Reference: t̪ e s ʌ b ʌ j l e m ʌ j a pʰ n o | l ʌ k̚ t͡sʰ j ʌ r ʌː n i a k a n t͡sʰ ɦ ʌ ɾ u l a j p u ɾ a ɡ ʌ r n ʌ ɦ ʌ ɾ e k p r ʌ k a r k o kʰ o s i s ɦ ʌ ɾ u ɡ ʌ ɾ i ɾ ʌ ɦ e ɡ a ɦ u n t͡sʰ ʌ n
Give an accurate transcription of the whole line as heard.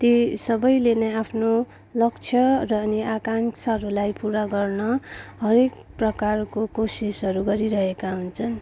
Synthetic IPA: t̪ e s ʌ b ʌ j l e n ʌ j a pʰ n o | l ʌ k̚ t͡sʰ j ʌ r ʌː n i a k a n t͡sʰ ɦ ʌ ɾ u l a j p u ɾ a ɡ ʌ r n ʌ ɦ ʌ ɾ e k p r ʌ k a r k o k o s i s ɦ ʌ ɾ u ɡ ʌ ɾ i ɾ ʌ ɦ e k a ɦ u n t͡sʰ ʌ n